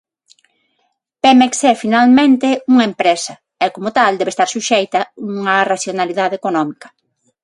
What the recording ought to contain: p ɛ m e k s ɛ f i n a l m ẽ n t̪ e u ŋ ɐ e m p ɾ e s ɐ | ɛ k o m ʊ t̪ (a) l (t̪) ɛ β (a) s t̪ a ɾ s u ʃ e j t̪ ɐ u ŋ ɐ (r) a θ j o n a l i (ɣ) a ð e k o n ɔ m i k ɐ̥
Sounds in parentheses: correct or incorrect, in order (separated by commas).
correct, incorrect, incorrect, correct, incorrect